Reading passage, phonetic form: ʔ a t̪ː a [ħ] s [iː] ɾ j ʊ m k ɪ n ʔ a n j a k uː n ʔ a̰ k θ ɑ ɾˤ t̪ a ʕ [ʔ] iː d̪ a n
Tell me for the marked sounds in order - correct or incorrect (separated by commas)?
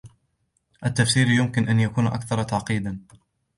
incorrect, correct, incorrect